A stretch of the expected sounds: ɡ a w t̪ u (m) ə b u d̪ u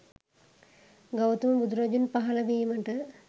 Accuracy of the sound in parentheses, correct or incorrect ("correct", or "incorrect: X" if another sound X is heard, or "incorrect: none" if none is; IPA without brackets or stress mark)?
correct